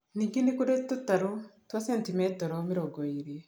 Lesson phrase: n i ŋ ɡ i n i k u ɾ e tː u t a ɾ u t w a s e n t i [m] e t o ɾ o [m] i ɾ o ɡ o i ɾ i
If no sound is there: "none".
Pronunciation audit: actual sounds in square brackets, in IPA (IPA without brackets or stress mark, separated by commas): m, m